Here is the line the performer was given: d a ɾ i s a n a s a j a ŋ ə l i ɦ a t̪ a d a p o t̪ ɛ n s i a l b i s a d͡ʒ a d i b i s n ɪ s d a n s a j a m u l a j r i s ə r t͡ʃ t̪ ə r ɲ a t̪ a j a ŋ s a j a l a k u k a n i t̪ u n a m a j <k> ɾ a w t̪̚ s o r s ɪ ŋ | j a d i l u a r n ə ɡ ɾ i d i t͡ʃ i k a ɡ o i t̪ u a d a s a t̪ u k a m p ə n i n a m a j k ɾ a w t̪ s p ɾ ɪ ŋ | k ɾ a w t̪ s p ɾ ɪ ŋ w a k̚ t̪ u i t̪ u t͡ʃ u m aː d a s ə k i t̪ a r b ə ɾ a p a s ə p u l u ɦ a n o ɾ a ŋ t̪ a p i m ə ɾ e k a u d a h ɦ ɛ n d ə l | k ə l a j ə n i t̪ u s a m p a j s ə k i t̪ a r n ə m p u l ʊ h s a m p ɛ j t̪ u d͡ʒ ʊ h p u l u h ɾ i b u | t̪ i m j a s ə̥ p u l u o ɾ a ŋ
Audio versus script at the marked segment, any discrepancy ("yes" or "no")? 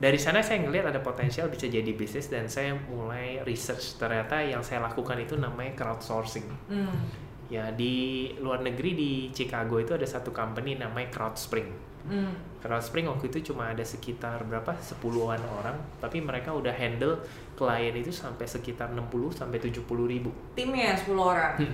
no